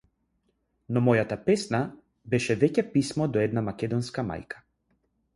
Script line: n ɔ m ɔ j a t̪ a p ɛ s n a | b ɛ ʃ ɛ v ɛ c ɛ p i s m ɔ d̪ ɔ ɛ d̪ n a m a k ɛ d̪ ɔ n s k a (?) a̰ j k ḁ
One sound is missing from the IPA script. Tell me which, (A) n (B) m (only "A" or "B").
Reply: B